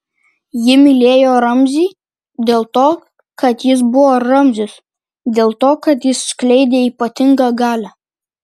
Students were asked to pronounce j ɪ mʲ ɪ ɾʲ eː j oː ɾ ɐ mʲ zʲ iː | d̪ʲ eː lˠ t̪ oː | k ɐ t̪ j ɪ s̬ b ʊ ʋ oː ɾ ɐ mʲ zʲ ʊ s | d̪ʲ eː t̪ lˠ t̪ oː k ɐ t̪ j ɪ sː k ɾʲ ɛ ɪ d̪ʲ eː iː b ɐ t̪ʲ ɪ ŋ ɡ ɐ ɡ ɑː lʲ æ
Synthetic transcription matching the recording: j ɪ mʲ ɪ lʲ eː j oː ɾ ɐ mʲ zʲ iː | d̪ʲ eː lˠ t̪ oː | k ɐ t̪ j ɪ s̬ b ʊ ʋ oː ɾ ɐ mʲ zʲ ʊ s | d̪ʲ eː lˠ t̪ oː k ɐ t̪ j ɪ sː k lʲ ɛ ɪ d̪ʲ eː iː p ɐ t̪ʲ ɪ ŋ ɡ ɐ ɡ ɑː lʲ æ